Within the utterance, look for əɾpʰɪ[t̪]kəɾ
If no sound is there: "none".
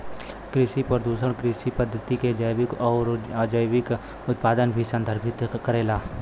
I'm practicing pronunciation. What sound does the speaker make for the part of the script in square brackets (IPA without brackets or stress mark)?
t̪